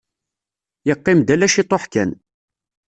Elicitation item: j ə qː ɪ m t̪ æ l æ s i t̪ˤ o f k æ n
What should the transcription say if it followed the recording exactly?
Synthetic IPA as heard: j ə qː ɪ m d̪ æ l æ ʃ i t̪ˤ o ħ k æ n